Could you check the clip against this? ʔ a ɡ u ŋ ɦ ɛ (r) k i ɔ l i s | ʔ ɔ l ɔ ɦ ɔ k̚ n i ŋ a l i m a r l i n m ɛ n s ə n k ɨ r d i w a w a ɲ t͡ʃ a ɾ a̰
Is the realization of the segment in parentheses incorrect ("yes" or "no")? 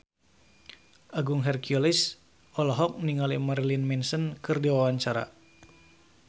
no